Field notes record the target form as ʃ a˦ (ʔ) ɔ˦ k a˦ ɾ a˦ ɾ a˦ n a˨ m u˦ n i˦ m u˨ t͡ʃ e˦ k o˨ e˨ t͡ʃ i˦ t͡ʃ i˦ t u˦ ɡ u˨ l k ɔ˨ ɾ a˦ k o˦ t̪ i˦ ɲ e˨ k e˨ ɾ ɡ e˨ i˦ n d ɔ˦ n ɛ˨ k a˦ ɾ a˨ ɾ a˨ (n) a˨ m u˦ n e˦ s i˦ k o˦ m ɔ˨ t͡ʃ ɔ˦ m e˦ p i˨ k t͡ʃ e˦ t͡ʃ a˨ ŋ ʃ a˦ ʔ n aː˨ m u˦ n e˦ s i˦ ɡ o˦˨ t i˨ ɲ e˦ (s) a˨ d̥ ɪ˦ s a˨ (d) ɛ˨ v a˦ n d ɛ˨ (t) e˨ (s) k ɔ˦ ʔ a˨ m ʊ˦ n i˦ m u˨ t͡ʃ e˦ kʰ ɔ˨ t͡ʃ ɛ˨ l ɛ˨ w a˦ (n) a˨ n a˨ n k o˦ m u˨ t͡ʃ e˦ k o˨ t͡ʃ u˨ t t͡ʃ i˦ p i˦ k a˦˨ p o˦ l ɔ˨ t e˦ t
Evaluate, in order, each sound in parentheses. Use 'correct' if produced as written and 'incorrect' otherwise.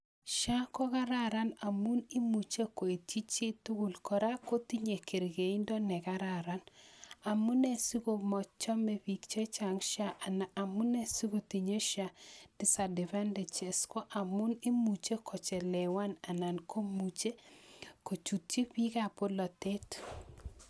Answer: incorrect, correct, incorrect, correct, incorrect, correct, correct

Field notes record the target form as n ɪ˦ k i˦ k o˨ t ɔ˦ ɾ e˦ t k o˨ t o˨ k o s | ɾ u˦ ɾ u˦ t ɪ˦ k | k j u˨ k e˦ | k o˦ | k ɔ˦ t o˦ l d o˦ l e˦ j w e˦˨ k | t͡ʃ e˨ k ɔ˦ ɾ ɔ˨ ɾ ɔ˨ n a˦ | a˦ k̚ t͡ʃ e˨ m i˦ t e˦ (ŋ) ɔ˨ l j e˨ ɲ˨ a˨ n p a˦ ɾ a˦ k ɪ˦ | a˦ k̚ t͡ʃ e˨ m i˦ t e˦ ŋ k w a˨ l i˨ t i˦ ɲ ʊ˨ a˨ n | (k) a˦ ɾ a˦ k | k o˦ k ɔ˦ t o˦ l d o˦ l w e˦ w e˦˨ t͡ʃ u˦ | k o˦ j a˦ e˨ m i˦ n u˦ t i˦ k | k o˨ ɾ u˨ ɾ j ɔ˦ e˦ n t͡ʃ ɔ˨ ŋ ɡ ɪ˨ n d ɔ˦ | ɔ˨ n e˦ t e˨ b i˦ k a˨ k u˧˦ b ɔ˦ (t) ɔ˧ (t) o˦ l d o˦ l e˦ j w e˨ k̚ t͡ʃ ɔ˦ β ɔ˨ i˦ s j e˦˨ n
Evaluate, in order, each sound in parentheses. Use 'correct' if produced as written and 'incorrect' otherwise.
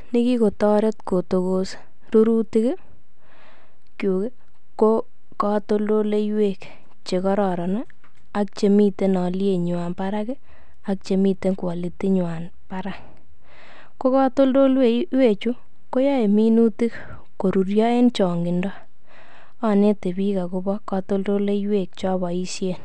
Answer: incorrect, incorrect, incorrect, correct

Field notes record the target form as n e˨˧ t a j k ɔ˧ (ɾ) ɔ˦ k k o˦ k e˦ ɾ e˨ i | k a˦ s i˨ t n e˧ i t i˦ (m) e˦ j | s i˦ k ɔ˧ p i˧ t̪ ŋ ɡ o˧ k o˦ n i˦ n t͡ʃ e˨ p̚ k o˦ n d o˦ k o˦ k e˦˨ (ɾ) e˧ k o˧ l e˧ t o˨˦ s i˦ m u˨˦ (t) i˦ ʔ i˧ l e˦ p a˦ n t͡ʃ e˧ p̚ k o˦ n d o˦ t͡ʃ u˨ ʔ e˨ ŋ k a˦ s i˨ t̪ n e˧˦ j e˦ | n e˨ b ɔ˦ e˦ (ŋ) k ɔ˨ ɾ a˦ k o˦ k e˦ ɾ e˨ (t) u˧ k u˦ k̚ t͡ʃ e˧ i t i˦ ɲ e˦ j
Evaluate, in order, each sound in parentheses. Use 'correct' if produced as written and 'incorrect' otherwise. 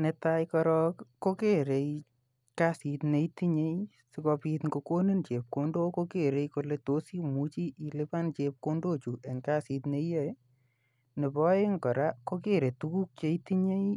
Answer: correct, incorrect, correct, incorrect, correct, correct

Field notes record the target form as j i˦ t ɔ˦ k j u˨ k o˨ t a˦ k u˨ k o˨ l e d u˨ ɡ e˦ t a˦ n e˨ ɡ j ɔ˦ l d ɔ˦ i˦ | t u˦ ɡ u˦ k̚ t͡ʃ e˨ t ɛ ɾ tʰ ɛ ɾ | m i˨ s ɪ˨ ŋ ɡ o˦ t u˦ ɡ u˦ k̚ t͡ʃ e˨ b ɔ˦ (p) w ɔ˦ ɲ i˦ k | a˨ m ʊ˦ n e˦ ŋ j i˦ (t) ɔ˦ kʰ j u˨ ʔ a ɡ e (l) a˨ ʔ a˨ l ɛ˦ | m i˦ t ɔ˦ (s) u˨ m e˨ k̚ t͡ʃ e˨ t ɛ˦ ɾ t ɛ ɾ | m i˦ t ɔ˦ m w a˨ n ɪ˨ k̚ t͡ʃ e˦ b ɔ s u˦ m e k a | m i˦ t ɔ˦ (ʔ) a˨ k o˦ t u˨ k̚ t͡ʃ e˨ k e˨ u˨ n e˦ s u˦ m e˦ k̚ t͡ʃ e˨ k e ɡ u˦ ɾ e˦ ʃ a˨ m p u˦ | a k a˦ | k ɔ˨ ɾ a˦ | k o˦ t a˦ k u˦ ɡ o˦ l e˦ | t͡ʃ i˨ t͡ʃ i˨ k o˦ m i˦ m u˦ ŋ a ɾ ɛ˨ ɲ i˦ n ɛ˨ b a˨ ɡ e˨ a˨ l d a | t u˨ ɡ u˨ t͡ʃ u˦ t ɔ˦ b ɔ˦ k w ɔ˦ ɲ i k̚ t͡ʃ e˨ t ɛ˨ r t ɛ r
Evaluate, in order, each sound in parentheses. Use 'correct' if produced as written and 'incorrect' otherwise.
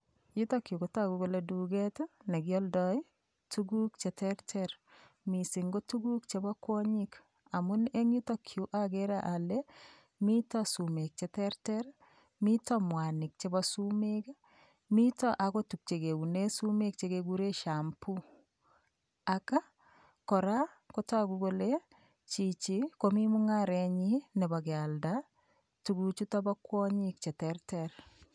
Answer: incorrect, correct, incorrect, correct, correct

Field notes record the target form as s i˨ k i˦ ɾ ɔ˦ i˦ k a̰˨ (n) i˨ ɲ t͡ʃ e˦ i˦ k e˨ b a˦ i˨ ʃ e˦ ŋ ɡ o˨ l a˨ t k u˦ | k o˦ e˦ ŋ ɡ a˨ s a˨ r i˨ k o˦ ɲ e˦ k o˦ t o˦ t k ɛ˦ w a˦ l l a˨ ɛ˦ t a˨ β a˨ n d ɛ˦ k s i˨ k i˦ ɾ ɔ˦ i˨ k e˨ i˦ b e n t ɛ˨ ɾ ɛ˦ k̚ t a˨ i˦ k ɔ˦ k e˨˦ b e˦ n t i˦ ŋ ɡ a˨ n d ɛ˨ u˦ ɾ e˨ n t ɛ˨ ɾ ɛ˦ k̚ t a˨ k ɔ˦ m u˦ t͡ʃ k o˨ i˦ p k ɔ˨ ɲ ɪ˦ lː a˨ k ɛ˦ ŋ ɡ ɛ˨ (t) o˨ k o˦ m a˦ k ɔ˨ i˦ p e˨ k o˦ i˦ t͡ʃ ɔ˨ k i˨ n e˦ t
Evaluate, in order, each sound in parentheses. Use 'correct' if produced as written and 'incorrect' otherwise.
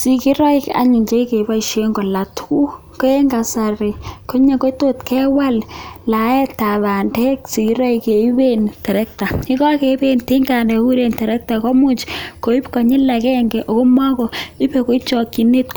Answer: incorrect, incorrect

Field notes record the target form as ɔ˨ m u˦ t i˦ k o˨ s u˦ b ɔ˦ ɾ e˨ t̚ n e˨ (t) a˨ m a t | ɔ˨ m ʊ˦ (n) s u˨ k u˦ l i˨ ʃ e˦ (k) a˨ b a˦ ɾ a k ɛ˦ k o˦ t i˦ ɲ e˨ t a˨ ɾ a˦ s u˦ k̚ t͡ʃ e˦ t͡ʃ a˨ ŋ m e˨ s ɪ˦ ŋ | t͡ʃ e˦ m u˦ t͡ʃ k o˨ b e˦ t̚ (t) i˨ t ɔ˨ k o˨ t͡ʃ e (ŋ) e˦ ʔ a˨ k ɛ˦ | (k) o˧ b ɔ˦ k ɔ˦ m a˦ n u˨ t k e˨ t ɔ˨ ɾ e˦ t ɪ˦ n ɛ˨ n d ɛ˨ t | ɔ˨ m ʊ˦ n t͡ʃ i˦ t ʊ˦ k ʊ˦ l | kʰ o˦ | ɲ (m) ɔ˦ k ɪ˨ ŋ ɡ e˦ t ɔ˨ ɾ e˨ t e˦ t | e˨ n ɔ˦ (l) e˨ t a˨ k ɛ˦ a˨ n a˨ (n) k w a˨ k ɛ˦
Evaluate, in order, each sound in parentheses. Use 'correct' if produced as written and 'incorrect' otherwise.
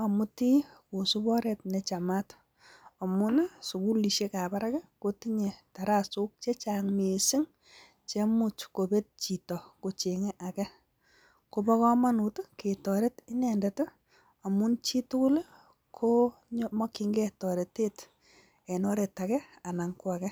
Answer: incorrect, correct, correct, incorrect, correct, correct, correct, incorrect, incorrect

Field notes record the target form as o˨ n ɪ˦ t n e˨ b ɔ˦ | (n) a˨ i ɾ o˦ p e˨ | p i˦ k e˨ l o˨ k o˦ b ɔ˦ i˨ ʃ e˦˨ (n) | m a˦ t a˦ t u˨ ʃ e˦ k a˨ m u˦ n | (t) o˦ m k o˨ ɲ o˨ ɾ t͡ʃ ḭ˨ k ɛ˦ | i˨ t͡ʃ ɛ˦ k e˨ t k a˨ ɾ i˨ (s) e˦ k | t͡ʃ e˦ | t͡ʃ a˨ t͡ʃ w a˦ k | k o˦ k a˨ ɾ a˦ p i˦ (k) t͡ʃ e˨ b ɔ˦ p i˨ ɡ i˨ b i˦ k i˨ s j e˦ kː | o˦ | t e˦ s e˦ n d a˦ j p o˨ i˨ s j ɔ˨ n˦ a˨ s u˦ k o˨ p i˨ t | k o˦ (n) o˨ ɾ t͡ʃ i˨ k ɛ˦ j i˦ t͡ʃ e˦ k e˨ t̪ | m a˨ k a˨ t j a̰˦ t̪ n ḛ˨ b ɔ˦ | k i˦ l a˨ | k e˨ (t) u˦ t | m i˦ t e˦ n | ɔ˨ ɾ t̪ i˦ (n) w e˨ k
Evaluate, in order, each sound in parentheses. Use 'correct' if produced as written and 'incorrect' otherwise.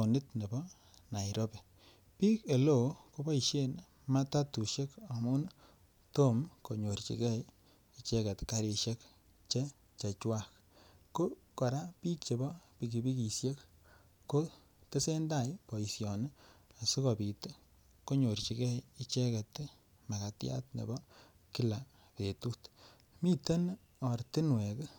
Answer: correct, correct, correct, incorrect, correct, incorrect, correct, correct

